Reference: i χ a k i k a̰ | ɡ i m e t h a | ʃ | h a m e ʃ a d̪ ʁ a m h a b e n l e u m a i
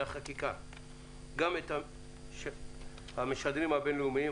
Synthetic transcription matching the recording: a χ a k i k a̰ | ɡ a m e t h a | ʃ | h a m e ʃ a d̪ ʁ i m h a b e n l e u m i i